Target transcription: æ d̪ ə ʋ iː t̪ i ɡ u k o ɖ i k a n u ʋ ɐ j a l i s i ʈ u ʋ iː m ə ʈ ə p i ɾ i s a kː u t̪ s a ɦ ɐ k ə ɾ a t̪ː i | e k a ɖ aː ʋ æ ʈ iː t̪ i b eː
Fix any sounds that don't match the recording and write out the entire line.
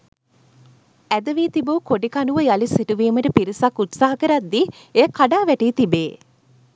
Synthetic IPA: æ d̪ ə ʋ iː t̪ i b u k o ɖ i k a n u ʋ ə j a l i s i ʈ u ʋ iː m ə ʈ ə p i ɾ i s a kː u t̪ s a ɦ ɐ k ə ɾ a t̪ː i | e k a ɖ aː ʋ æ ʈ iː t̪ i b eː